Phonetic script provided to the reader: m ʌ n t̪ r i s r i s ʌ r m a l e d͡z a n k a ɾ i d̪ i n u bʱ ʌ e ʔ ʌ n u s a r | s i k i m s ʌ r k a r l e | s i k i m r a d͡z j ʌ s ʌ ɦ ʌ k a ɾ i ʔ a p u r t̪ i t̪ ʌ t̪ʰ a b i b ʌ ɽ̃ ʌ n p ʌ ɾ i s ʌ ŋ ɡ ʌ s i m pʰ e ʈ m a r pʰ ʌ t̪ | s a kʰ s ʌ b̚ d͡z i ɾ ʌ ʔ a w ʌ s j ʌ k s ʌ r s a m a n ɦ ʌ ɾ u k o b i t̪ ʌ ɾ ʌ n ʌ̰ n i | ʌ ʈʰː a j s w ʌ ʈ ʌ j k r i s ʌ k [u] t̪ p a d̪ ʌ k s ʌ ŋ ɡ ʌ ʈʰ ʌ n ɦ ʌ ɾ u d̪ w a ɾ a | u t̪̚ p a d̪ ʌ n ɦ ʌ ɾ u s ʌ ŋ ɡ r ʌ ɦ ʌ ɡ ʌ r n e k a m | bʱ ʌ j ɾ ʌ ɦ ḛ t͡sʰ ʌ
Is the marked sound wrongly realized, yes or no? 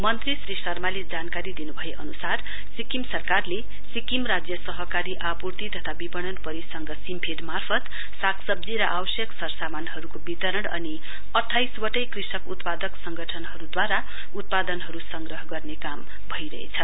no